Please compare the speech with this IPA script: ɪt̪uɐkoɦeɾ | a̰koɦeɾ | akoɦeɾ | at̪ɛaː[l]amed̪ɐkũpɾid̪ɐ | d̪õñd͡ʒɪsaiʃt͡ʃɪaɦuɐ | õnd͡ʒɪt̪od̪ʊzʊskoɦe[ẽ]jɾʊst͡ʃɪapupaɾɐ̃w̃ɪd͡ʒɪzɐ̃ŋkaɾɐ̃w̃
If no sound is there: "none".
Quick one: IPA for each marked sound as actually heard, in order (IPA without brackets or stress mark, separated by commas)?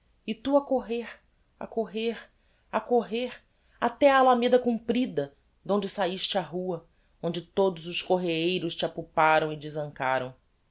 l, e